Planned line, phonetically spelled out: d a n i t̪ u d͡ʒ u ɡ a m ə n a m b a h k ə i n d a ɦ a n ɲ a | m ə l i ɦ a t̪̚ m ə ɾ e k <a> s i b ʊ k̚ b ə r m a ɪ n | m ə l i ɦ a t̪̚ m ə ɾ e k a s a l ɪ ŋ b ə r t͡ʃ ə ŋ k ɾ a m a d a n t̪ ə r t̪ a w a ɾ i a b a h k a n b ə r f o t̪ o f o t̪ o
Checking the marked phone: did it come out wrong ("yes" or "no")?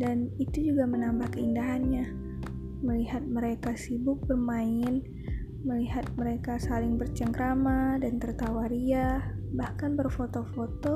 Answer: no